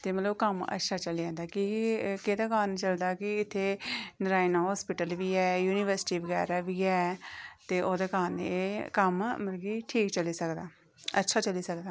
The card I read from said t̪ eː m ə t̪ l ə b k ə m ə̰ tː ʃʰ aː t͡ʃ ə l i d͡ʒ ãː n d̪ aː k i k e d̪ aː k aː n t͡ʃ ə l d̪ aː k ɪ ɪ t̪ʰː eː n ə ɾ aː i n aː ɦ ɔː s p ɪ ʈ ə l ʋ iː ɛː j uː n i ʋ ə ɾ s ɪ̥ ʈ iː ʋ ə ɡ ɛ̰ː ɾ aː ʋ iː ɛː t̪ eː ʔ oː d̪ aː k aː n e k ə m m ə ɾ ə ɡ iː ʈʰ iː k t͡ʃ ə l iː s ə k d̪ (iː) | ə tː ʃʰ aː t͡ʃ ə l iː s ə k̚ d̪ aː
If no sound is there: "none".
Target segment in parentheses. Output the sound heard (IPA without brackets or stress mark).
aː